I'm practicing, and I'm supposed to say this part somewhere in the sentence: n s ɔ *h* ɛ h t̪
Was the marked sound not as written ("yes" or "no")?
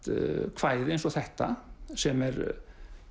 yes